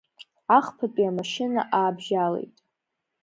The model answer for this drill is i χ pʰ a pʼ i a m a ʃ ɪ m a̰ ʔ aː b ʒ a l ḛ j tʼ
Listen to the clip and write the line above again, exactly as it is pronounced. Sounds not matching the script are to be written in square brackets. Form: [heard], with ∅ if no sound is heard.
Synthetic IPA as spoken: [a] χ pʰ a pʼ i a m a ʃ ɪ [n] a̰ ʔ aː b ʒ a l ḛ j tʼ